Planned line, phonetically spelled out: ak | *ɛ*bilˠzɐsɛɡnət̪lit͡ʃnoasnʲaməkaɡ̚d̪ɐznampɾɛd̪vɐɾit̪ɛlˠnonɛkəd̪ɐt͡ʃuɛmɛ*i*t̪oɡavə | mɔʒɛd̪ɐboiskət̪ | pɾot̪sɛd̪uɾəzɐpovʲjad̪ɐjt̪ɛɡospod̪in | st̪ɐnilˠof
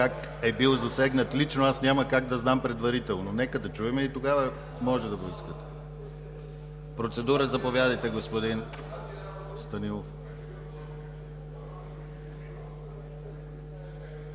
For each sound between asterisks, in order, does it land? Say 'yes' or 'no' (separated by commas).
yes, yes